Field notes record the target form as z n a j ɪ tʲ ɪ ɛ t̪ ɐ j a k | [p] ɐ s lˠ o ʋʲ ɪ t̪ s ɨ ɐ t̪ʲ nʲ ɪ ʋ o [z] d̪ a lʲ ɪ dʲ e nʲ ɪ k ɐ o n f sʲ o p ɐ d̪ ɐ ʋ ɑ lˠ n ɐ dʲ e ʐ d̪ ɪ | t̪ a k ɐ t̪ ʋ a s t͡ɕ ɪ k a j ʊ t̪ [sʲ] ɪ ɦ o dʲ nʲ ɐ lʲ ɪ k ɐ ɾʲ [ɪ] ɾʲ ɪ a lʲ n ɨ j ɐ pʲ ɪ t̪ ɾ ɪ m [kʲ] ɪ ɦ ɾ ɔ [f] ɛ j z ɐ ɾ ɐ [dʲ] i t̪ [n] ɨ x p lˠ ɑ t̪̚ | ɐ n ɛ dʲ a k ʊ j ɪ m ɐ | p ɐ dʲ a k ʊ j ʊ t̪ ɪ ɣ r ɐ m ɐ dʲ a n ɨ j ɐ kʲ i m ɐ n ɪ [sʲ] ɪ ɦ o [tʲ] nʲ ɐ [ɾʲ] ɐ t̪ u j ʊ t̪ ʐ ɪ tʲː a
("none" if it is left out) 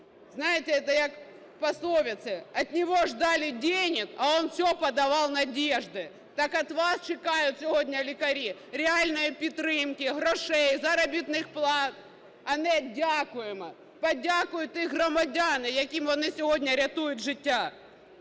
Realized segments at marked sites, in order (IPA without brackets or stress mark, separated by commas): p, ʐ, sʲ, i, kʲ, ʂ, bʲ, n, sʲ, dʲ, ɾʲ